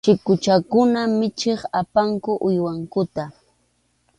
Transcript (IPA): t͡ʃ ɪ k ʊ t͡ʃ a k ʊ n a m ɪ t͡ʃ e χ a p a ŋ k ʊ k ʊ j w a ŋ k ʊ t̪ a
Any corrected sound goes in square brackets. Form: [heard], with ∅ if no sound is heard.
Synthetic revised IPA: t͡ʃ ɪ k ʊ t͡ʃ a k ʊ n a m ɪ t͡ʃ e χ a p a ŋ k ʊ [ʔ] ʊ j w a ŋ k ʊ t̪ a

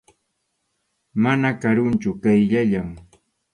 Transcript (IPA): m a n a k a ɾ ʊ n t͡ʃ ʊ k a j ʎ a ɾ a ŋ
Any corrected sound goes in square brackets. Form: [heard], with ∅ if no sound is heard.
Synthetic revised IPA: m a n a k a ɾ ʊ n t͡ʃ ʊ k a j ʎ a [ʎ] a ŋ

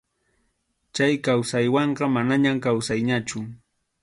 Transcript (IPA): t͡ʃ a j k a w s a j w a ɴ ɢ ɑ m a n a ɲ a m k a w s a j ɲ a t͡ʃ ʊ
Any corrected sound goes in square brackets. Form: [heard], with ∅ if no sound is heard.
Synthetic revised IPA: t͡ʃ a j k a w s a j w [ɑ] ɴ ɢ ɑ m a n a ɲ a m k a w s a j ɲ a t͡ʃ ʊ

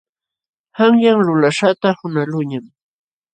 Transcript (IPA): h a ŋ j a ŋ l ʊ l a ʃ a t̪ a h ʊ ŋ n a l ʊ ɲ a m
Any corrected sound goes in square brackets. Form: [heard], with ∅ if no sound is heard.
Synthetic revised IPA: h a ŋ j a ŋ l ʊ l a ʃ a t̪ a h ʊ [∅] n a l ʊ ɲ a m

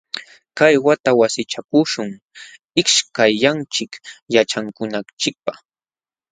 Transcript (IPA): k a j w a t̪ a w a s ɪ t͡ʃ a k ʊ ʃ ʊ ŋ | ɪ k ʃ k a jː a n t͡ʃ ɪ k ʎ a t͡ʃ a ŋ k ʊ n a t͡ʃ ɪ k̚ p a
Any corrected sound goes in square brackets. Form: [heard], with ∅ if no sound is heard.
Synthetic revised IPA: k a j w a t̪ a w a s ɪ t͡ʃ a k ʊ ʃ ʊ ŋ | ɪ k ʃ k a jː a n t͡ʃ ɪ k [j] a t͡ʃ a ŋ k ʊ n a t͡ʃ ɪ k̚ p a

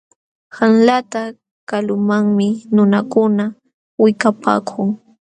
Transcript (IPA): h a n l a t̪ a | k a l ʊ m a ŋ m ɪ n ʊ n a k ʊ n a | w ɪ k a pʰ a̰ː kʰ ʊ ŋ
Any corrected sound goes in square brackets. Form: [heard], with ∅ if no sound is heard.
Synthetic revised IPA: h a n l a t̪ a | k a l ʊ m a ŋ m ɪ n ʊ n a k ʊ n a | w ɪ k a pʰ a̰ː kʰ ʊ ŋ

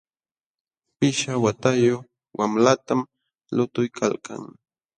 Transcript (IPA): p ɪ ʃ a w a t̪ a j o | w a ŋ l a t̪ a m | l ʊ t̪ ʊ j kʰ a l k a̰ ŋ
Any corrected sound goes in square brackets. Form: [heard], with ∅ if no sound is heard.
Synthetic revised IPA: p ɪ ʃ a w a t̪ a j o | w a [m] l a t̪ a m | l ʊ t̪ ʊ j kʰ a l k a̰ ŋ

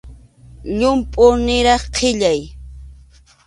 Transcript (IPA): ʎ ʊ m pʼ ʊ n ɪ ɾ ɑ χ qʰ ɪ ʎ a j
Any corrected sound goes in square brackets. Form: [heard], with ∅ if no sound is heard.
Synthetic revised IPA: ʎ ʊ m pʼ ʊ n ɪ ɾ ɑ χ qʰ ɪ ʎ a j

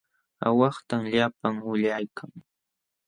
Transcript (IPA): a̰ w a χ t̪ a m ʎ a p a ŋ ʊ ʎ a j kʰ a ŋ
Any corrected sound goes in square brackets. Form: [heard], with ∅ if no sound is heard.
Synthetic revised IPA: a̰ w [ɑ] χ t̪ a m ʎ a p a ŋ ʊ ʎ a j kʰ a ŋ

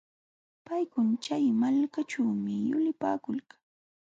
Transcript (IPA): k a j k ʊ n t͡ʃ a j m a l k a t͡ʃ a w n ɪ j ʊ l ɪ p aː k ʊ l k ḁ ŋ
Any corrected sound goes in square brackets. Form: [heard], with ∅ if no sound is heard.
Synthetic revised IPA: [p] a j k ʊ n t͡ʃ a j m a l k a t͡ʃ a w [m] ɪ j ʊ l ɪ p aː k ʊ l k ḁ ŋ

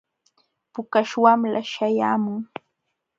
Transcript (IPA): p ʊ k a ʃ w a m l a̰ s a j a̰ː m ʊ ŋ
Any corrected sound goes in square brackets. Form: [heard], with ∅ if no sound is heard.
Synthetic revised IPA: p ʊ k a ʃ w a m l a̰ [ʃ] a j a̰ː m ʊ ŋ

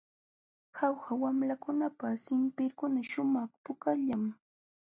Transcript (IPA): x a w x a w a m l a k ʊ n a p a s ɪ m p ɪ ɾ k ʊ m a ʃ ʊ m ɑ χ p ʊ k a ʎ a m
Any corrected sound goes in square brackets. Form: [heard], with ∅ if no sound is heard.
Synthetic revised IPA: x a w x a w a m l a k ʊ n a p a s ɪ m p ɪ ɾ k ʊ [n] a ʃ ʊ m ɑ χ p ʊ k a ʎ a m

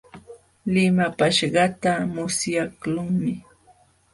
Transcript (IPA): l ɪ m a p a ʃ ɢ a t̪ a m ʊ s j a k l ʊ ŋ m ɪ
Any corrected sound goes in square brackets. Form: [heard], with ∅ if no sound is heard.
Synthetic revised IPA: l ɪ m a p a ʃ ɢ [ɑ] t̪ a m ʊ s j a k l ʊ ŋ m ɪ

